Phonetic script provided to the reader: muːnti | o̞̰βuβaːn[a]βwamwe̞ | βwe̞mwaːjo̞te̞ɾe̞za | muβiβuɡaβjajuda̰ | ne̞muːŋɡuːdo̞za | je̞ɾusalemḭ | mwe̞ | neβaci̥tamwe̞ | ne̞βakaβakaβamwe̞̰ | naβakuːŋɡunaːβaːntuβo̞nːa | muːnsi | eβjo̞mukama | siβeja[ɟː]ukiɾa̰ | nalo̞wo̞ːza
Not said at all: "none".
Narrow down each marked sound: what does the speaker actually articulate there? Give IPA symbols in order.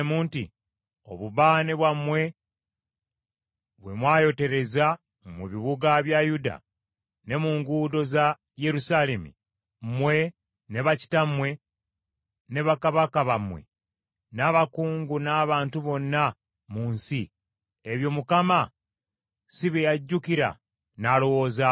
e, ɟː

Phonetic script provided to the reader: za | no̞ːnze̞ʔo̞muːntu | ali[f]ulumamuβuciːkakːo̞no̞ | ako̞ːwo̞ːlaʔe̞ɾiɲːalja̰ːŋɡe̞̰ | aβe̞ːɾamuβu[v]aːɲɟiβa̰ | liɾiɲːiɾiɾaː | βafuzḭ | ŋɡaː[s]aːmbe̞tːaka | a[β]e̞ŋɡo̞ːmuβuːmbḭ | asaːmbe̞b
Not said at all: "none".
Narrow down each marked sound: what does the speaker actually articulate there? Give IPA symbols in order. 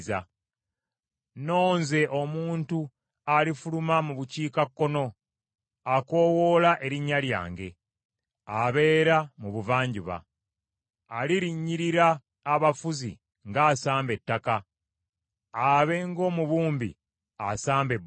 f, v, s, β

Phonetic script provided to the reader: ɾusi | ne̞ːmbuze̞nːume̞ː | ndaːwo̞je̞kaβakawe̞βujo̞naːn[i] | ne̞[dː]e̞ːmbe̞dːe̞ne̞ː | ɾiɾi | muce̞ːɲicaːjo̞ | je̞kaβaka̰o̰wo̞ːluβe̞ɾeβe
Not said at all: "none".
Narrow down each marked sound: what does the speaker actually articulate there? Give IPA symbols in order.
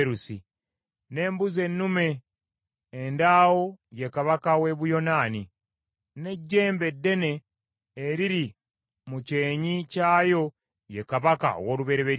i, ɟː

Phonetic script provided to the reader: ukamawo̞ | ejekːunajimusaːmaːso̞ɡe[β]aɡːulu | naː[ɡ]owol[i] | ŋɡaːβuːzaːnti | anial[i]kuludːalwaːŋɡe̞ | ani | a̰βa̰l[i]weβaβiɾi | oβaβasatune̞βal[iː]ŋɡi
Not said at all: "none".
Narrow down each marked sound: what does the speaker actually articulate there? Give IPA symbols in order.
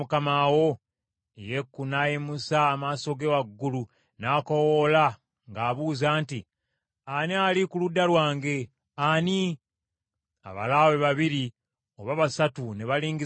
w, k, a, i, a, iː

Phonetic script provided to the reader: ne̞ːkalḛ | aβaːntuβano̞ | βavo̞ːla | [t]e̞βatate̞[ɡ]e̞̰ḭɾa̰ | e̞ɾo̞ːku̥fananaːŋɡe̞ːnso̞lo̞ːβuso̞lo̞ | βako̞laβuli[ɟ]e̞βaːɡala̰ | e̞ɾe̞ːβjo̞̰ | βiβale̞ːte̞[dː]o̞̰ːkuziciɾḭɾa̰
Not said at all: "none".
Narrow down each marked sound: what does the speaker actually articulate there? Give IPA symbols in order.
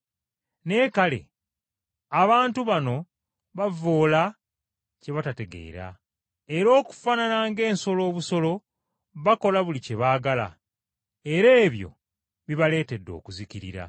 c, ɡ, c, dː

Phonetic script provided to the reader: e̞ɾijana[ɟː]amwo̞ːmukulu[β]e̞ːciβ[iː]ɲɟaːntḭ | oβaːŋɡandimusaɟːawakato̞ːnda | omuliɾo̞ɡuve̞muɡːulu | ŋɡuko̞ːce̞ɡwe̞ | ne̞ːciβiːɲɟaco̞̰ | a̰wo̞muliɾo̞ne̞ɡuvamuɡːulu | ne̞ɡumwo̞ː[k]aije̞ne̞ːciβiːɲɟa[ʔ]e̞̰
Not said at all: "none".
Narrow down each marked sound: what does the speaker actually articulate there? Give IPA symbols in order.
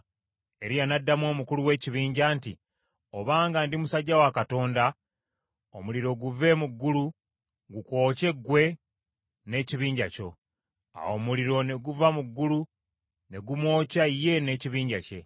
dː, w, iː, c, c

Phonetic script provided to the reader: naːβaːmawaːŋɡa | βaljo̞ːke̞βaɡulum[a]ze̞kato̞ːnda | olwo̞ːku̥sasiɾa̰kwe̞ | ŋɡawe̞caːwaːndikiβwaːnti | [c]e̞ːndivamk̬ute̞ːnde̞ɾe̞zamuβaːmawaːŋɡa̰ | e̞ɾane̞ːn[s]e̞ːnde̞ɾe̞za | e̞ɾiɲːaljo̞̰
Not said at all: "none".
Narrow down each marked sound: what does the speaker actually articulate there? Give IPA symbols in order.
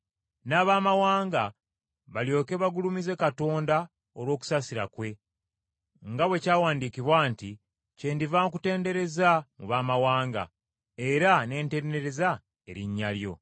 i, c, t

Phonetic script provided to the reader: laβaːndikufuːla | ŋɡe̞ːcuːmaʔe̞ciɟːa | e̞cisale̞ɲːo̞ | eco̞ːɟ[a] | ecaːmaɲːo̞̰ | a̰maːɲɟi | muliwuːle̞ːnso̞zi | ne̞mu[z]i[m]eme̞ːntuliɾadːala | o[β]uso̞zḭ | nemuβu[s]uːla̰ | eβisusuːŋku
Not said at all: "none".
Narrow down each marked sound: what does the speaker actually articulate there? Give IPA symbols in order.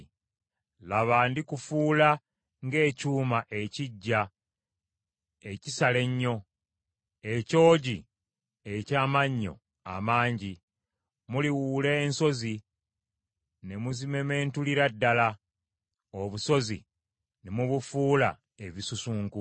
i, z, m, β, f

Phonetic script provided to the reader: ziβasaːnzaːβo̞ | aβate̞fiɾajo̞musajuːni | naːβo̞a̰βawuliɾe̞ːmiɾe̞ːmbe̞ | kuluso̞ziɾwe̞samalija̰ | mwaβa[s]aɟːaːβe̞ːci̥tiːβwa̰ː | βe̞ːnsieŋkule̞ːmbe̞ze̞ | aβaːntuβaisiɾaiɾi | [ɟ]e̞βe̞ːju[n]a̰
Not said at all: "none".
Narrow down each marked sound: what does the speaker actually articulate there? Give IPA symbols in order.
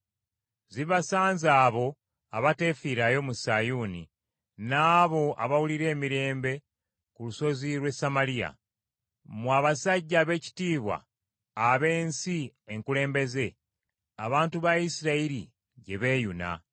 s, ɟ, n

